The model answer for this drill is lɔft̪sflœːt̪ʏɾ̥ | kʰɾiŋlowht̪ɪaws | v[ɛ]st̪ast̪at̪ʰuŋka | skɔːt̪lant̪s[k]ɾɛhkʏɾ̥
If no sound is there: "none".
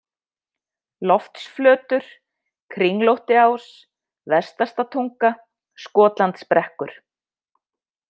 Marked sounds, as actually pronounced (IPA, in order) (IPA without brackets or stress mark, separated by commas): ɛ, p